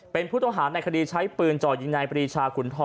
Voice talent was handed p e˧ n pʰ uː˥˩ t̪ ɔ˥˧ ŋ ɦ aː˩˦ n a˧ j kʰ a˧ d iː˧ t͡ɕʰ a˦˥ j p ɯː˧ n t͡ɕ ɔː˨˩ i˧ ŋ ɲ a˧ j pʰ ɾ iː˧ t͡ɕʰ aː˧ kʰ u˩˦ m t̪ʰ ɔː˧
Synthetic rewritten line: p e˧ n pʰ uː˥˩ t̪ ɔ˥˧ ŋ ɦ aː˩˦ n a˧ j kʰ a˧ d iː˧ t͡ɕʰ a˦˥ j p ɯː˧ n t͡ɕ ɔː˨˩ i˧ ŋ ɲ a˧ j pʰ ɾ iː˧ t͡ɕʰ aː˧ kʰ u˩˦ n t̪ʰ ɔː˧

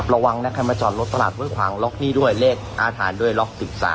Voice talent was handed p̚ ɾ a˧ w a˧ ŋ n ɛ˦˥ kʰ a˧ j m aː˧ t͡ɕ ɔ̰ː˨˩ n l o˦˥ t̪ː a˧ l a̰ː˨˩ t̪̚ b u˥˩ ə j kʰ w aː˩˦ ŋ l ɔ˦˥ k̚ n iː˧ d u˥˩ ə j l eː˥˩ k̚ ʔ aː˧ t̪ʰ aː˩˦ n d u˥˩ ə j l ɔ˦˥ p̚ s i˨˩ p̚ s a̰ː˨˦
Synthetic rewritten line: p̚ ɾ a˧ w a˧ ŋ n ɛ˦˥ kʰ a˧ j m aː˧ t͡ɕ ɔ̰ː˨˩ n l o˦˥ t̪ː a˧ l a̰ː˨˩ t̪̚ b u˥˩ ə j kʰ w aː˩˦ ŋ l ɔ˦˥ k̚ n iː˥˩ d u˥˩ ə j l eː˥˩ k̚ ʔ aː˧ t̪ʰ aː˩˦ n d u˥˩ ə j l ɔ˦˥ k̚ s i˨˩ p̚ s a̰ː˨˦

